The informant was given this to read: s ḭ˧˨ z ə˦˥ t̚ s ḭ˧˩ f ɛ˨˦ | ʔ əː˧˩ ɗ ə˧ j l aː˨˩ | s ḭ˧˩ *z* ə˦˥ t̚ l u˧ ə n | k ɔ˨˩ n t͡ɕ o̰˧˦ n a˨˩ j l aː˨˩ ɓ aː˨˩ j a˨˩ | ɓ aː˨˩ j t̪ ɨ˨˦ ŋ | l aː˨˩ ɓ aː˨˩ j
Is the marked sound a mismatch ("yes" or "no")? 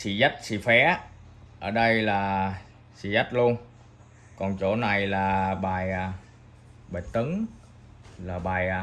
no